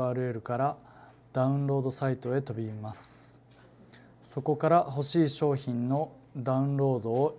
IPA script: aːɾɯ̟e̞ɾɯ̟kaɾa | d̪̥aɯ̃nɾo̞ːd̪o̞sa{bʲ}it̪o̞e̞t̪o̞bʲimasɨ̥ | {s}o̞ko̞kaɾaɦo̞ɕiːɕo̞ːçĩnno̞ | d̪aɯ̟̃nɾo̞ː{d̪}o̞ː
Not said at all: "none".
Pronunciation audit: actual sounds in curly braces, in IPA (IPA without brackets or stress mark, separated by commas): none, s, d̪